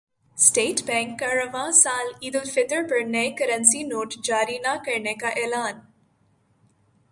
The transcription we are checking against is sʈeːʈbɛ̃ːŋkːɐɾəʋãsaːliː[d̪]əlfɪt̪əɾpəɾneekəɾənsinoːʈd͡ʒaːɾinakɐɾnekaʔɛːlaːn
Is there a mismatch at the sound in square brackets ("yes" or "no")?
no